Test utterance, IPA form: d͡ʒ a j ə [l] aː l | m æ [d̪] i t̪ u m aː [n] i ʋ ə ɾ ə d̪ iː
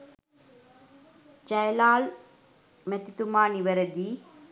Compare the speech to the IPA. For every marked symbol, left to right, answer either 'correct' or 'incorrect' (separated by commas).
correct, incorrect, correct